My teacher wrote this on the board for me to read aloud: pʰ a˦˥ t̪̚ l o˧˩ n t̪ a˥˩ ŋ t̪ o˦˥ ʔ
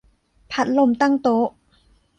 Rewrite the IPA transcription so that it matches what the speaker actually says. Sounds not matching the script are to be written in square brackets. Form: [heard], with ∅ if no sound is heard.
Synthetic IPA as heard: pʰ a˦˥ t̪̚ l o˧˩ [m] t̪ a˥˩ ŋ t̪ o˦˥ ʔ